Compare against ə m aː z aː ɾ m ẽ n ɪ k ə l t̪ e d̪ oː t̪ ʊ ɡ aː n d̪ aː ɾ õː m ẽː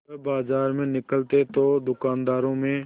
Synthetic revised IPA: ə b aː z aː ɾ m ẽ n ɪ k ə l t̪ e t̪ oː d̪ ʊ k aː n d̪ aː ɾ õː m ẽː